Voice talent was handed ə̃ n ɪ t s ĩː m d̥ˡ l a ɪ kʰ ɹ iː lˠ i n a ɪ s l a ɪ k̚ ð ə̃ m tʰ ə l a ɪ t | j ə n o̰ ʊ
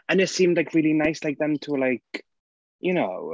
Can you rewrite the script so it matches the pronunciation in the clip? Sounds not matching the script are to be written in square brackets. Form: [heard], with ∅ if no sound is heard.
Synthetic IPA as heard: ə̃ n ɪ t s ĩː m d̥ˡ l a ɪ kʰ ɹ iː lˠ i n a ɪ s l a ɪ k̚ ð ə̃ m tʰ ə l a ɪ [k] | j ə n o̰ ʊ